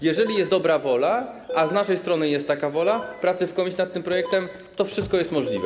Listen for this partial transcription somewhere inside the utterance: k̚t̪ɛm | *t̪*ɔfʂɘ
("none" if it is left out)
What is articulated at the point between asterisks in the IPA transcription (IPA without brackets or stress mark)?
t̪